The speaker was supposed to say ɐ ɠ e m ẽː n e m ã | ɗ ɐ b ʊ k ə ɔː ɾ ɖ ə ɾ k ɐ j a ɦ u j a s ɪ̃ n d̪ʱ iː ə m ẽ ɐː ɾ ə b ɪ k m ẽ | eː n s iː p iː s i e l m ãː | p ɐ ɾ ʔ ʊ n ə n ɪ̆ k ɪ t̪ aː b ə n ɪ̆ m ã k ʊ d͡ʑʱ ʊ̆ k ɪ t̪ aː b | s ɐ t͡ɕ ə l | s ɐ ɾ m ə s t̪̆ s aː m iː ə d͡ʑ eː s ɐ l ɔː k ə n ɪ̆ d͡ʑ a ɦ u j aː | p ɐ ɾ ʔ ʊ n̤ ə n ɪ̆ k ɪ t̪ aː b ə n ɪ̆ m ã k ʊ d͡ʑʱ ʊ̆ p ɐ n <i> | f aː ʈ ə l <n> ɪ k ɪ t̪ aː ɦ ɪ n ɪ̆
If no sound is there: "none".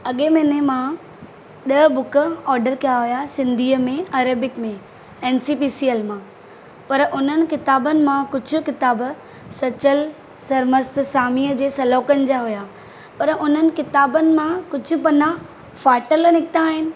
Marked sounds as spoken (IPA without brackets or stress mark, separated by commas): a, n